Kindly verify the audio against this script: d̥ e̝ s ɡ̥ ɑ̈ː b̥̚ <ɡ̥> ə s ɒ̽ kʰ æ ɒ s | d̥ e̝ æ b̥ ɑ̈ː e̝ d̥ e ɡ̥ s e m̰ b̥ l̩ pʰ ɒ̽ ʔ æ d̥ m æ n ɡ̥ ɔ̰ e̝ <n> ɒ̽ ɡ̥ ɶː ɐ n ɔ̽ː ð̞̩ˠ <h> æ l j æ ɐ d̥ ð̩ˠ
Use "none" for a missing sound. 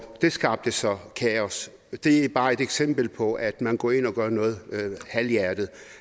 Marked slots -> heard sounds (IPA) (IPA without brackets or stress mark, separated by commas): d̥, n, h